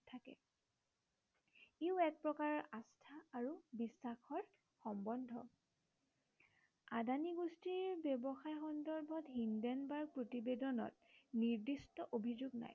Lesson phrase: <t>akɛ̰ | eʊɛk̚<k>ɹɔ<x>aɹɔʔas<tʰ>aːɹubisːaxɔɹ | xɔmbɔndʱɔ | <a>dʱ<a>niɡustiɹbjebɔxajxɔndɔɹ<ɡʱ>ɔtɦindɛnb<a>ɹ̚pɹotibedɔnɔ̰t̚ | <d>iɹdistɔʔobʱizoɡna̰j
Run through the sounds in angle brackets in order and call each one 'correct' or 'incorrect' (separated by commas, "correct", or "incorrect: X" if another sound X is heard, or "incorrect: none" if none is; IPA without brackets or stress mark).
incorrect: tʰ, incorrect: p, incorrect: k, correct, correct, correct, incorrect: bʱ, correct, incorrect: n